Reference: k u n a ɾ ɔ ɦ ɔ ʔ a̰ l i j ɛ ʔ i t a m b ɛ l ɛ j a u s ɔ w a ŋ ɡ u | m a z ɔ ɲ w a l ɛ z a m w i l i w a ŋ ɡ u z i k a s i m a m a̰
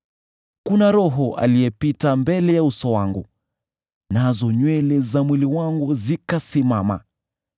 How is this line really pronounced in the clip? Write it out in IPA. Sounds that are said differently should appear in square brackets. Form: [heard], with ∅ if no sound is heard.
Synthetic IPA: k u n a ɾ ɔ ɦ ɔ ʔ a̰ l i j ɛ [p] i t a m b ɛ l ɛ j a u s ɔ w a ŋ ɡ u | [n] a z ɔ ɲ w [ɛ] l ɛ z a m w i l i w a ŋ ɡ u z i k a s i m a m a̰